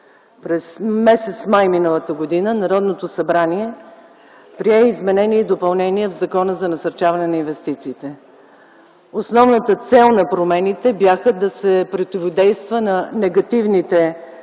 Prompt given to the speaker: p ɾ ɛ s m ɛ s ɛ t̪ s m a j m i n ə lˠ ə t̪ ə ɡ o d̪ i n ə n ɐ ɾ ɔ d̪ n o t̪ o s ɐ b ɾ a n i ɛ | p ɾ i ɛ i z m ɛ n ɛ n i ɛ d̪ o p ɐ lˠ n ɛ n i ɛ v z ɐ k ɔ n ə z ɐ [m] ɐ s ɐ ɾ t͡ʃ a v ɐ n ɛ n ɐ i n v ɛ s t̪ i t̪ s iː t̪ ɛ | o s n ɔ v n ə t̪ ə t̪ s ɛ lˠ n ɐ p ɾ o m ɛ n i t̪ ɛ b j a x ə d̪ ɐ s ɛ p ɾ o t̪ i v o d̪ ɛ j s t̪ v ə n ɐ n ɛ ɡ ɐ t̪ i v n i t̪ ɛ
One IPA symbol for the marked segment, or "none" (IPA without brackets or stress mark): n